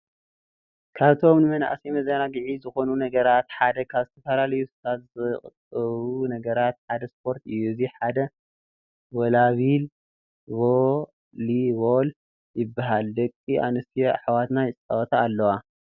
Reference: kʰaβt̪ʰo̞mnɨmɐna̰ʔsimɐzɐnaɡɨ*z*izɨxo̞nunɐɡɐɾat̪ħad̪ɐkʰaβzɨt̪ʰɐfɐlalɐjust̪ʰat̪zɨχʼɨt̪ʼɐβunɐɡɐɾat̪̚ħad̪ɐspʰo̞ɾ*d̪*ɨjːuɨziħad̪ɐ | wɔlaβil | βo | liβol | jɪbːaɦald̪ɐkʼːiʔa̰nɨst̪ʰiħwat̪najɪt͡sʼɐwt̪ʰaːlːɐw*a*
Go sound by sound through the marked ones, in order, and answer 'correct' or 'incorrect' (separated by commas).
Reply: incorrect, incorrect, correct